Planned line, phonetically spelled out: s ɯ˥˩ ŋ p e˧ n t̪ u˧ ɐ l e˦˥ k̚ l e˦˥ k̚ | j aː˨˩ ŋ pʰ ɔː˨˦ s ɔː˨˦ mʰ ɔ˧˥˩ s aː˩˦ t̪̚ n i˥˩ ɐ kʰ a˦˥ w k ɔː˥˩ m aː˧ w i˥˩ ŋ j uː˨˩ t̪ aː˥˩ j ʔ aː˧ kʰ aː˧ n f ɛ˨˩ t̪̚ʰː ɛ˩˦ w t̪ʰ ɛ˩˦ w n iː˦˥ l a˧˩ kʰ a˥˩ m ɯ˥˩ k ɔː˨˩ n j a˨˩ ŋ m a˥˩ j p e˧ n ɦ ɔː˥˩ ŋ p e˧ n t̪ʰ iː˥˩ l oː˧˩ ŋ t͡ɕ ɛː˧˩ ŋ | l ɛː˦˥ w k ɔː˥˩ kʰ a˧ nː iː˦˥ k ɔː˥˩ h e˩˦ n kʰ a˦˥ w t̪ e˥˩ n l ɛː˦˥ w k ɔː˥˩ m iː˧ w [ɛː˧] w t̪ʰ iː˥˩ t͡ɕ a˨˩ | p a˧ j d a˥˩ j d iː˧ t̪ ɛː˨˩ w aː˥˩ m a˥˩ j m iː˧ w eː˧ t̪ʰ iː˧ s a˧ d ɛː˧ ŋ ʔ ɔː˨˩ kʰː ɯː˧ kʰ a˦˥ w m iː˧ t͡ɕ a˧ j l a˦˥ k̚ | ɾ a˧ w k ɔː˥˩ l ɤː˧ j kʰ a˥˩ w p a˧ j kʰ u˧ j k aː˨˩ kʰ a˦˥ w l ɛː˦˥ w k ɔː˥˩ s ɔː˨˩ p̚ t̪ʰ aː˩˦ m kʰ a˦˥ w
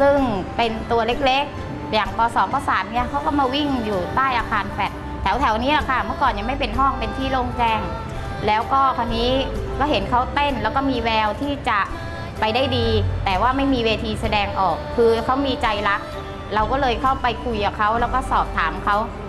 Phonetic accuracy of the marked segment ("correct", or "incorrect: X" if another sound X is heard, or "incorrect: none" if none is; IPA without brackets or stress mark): correct